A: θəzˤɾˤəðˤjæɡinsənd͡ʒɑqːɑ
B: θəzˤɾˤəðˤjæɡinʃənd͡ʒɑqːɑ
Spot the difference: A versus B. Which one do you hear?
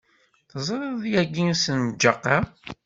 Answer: A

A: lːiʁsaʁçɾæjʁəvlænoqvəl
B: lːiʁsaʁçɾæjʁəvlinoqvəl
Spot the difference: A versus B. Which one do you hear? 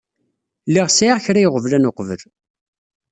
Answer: A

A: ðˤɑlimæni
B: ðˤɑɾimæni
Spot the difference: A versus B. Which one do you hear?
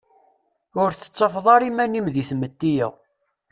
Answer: B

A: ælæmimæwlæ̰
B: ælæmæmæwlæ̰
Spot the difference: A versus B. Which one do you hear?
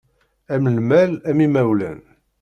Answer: A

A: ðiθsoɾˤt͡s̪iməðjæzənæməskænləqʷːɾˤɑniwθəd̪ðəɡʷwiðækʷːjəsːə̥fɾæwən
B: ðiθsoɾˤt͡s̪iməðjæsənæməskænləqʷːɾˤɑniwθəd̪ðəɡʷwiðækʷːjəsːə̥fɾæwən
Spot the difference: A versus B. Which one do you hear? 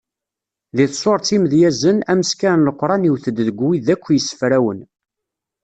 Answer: A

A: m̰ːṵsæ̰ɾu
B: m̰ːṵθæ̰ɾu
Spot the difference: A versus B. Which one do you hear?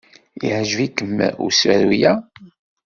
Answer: A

